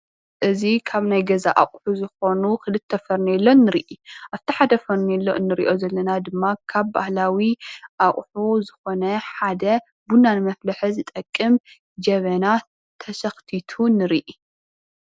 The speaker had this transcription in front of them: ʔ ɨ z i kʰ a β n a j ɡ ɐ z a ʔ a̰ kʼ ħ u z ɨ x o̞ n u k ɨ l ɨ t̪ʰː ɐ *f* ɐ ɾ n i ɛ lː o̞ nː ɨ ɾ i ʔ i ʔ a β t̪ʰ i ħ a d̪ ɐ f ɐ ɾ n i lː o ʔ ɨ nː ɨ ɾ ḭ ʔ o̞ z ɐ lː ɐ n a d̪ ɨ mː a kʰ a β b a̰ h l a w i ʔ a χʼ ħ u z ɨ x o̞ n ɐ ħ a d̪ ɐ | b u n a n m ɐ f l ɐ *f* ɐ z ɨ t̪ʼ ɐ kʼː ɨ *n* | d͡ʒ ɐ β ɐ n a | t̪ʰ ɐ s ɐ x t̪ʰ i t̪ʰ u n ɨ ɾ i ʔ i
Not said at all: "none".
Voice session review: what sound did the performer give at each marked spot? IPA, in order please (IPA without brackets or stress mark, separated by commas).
f, ħ, m